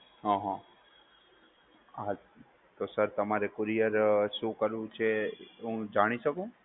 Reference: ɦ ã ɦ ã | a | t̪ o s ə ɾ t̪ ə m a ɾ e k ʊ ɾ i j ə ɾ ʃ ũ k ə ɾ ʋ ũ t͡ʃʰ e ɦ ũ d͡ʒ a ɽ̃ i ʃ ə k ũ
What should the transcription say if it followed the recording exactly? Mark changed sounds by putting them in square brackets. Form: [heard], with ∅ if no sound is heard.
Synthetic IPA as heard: ɦ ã ɦ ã | a | t̪ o s ə ɾ t̪ ə m a ɾ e k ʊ ɾ i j ə ɾ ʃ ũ k ə ɾ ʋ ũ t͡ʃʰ e ɦ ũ d͡ʒ a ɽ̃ i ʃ ə k ũ